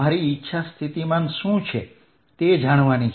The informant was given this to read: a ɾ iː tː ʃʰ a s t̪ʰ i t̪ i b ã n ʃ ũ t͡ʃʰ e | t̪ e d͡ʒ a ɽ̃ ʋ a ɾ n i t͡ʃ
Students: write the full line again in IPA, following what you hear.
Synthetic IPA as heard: a ɾ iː tː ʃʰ a s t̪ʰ i t̪ i m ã n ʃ ũ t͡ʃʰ e | t̪ e d͡ʒ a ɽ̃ ʋ a n i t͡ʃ